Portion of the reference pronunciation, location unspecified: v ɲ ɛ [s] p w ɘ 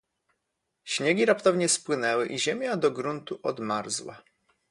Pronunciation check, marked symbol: correct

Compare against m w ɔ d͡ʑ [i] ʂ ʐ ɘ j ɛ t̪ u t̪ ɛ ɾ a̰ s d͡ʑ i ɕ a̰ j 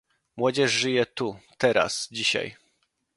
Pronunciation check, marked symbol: incorrect: ɛ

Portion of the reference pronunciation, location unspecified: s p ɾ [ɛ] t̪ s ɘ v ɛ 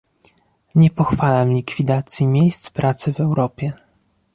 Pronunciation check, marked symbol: incorrect: a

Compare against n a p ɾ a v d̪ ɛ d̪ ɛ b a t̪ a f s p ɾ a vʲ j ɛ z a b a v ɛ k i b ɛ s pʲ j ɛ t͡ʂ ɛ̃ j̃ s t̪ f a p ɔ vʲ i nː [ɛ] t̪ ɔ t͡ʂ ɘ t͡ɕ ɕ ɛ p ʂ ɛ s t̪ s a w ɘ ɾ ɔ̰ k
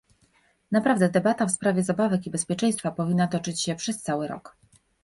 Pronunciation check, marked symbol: incorrect: a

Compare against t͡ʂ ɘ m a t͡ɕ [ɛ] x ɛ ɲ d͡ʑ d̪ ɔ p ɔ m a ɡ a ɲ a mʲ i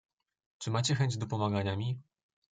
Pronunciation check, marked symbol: correct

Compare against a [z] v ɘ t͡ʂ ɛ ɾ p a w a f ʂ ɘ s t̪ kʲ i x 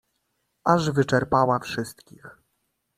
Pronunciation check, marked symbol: incorrect: ʐ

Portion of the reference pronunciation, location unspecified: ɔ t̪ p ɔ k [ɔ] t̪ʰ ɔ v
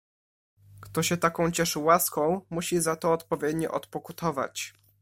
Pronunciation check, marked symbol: incorrect: u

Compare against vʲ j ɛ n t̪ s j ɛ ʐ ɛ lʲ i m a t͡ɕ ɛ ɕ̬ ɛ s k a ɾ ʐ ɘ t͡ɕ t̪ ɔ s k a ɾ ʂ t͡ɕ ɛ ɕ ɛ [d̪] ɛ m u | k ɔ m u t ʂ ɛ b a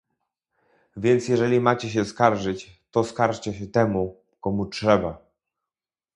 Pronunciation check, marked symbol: incorrect: t̪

